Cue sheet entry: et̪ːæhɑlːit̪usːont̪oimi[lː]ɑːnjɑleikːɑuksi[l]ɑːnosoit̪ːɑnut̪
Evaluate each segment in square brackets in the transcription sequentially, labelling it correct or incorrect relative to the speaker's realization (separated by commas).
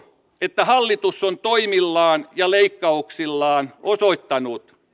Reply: correct, incorrect